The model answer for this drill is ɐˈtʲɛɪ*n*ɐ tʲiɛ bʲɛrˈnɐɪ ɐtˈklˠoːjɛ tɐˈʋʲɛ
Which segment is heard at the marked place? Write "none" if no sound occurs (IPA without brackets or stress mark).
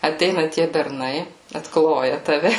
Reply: n